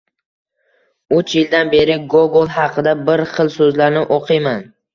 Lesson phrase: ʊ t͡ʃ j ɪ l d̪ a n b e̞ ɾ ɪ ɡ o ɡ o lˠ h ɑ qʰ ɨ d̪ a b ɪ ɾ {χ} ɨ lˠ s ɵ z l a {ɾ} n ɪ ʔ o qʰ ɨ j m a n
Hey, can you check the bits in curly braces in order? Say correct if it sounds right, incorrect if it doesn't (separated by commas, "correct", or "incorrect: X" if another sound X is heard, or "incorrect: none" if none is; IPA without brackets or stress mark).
correct, correct